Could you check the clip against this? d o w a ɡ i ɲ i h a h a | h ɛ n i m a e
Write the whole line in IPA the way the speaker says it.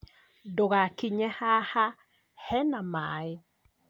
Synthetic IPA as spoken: d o ɣ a k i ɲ ɛ h a h a | h ɛ n a m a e